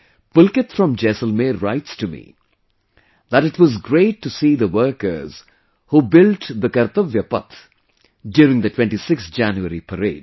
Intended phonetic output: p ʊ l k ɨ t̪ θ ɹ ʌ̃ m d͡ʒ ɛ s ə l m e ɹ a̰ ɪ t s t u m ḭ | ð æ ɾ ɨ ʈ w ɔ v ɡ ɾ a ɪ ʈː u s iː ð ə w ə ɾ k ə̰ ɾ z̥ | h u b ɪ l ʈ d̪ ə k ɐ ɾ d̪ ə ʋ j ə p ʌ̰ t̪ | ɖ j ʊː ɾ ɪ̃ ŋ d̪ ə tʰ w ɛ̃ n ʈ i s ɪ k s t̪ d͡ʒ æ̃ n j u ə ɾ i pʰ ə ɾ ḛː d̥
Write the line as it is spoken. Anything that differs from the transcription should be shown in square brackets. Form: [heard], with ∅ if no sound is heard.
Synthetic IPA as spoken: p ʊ l k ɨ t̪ [f] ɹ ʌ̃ m d͡ʒ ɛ s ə l m e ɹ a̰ ɪ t s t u m ḭ | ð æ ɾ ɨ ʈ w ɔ [z] ɡ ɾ [e] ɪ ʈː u s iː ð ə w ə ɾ k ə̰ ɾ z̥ | h u b ɪ l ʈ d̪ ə k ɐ ɾ [t̪] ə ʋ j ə p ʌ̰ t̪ | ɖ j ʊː ɾ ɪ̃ ŋ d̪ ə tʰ w ɛ̃ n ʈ i s ɪ k s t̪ d͡ʒ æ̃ n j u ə ɾ i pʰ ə ɾ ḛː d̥